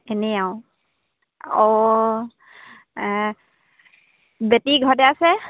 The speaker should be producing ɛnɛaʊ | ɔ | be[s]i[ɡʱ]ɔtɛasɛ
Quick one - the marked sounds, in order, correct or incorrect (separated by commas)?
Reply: incorrect, correct